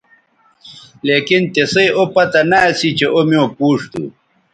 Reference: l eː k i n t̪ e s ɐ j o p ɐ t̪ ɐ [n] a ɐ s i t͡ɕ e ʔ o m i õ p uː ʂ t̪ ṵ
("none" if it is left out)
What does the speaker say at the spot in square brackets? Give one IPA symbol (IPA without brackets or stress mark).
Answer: n